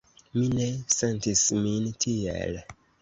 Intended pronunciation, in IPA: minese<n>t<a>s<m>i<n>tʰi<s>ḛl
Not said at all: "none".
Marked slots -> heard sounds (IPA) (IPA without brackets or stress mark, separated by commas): n, i, m, n, none